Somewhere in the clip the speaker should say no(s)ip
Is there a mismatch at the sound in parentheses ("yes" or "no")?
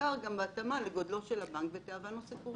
no